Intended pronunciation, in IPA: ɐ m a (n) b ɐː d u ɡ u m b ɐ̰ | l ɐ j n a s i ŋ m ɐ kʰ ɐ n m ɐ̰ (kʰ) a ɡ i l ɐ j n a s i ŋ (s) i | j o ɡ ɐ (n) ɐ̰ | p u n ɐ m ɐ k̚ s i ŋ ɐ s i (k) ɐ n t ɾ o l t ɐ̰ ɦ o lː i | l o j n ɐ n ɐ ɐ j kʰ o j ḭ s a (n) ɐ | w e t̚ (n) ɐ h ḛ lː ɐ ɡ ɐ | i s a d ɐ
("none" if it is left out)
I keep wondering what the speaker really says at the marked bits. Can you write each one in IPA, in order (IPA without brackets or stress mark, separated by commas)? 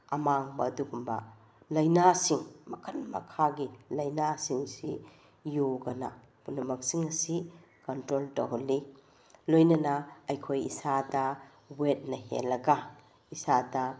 ŋ, kʰ, s, n, k, d, n